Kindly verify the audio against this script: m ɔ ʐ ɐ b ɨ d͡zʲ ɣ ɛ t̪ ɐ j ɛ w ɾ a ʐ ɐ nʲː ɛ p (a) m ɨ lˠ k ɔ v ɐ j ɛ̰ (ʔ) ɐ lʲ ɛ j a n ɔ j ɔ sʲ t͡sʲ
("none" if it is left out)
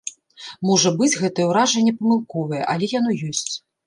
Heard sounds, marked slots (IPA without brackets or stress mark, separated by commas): ɐ, ʔ